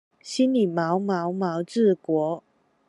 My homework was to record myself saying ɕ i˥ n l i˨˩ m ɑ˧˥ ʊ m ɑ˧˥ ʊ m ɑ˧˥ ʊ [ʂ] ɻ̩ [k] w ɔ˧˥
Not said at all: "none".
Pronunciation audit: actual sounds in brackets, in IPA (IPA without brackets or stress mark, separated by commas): ʈ͡ʂ, k